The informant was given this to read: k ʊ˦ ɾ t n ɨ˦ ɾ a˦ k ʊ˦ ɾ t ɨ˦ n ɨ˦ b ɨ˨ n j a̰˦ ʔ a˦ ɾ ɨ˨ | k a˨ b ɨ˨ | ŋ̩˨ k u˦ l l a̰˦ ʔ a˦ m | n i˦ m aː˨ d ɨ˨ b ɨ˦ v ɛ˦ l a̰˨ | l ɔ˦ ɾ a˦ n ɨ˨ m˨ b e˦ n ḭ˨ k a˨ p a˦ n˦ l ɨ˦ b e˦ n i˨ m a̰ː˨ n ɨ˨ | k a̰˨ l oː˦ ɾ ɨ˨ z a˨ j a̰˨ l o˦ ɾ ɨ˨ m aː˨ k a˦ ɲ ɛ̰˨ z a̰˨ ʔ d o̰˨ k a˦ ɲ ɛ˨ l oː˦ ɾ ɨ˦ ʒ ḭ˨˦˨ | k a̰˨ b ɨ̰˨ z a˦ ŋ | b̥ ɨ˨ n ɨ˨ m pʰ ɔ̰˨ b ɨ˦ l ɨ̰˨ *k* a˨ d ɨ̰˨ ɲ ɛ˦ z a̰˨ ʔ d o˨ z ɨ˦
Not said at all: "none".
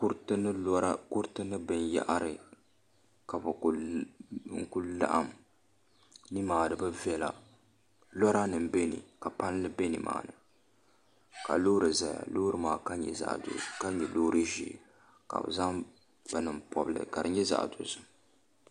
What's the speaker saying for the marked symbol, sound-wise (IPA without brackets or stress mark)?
k